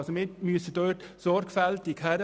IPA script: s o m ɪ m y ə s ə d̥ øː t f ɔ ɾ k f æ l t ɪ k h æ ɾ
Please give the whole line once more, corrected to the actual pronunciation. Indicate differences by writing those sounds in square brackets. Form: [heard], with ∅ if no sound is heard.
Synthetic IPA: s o m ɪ m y ə s ə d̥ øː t [s] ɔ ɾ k f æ l t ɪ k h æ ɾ